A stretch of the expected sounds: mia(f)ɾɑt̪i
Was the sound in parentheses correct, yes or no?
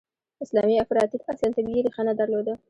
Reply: yes